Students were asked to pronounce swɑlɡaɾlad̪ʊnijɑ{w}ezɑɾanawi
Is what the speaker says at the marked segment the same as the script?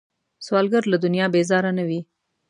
no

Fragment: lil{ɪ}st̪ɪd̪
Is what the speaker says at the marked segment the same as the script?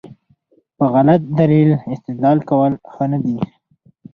yes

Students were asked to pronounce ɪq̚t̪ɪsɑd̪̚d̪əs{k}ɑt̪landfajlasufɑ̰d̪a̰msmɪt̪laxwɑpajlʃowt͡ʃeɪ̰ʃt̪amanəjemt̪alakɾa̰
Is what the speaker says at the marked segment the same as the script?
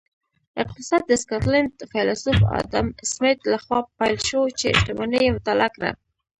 yes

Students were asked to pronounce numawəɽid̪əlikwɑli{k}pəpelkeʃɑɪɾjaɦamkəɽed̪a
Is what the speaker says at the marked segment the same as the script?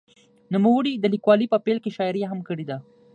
no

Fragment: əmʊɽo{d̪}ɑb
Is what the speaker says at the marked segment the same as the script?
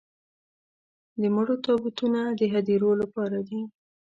no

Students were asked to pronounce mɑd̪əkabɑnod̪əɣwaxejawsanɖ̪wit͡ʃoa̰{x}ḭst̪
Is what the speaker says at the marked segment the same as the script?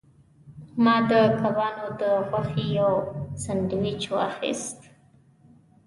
yes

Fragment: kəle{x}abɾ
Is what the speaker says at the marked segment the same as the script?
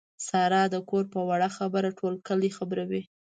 yes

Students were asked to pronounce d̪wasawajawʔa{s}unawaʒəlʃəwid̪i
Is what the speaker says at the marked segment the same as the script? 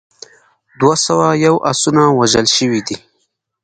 yes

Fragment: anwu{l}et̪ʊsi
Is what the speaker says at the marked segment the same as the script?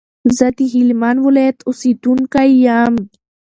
yes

